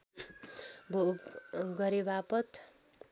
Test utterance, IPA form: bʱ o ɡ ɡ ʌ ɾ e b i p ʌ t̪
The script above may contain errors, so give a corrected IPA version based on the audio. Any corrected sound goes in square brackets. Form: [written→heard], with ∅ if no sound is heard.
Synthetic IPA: bʱ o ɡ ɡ ʌ ɾ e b [i→a] p ʌ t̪